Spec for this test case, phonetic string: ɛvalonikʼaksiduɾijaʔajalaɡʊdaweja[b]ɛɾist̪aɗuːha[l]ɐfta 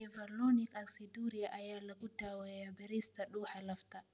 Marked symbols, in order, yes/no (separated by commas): yes, yes